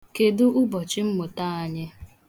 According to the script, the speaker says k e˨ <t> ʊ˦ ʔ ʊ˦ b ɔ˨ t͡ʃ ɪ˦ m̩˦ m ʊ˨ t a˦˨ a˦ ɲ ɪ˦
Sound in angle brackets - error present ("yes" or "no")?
yes